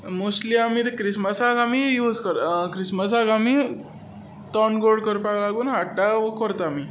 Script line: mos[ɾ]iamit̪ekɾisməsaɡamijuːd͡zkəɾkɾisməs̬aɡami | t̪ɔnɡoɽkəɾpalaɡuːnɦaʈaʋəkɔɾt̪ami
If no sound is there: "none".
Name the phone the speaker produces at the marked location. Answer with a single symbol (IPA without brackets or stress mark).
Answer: l